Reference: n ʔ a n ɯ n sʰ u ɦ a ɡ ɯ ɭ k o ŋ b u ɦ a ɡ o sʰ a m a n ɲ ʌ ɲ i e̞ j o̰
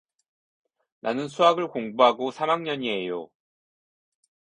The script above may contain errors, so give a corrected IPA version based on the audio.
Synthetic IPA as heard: n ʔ a n ɯ n sʰ u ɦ a ɡ ɯ ɭ k o ŋ b u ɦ a ɡ o sʰ a m a ŋ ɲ ʌ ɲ i e̞ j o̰